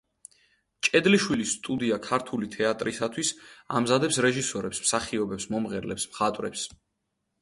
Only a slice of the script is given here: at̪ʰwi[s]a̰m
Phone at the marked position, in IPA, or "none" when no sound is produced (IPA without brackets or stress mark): s